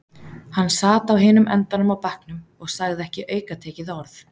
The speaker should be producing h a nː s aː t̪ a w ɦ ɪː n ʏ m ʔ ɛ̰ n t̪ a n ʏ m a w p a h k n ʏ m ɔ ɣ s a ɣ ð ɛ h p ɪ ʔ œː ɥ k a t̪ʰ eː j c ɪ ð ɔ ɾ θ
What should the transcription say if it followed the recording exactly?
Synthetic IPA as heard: h a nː s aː t̪ a w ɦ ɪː n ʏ m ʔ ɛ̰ n t̪ a n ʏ m a w p a h k n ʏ m ɔ ɣ s a ɣ ð ɛ h c ɪ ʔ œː ɥ k a t̪ʰ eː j c ɪ ð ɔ ɾ θ